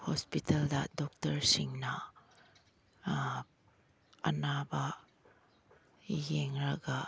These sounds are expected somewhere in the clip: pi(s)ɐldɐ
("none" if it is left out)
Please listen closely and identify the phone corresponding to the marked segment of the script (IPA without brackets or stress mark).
t